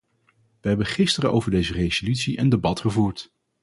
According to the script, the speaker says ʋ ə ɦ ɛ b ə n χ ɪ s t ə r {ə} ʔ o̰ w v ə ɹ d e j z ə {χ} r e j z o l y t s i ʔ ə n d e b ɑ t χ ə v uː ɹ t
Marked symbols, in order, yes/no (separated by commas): yes, no